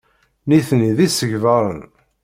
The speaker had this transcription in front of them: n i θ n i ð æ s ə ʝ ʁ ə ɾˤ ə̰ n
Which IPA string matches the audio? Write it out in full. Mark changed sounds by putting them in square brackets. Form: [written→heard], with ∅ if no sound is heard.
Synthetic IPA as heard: n i θ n i ð [æ→i] s ə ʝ [ʁ→v] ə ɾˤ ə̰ n